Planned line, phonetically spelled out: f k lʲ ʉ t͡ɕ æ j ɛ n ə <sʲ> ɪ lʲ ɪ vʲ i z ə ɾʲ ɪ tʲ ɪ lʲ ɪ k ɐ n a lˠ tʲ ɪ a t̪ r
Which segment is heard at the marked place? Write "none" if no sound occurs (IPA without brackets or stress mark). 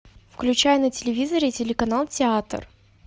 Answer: tʲ